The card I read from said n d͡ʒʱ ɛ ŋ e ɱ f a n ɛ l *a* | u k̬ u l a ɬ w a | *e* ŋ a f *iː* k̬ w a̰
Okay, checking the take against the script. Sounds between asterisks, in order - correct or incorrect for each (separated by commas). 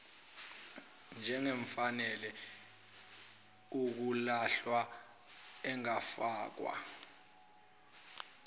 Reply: incorrect, incorrect, incorrect